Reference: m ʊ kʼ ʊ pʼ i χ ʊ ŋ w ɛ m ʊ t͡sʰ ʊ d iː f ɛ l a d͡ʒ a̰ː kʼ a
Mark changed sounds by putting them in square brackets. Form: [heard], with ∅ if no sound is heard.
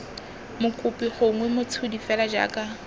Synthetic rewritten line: m ʊ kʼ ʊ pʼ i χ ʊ ŋ w ɛ m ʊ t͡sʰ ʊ d [i] f ɛ l a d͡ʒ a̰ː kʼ a